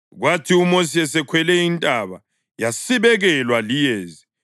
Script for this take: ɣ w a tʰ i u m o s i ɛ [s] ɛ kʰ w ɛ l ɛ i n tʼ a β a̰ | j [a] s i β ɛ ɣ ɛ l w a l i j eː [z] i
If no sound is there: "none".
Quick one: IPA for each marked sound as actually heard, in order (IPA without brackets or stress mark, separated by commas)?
s, a, z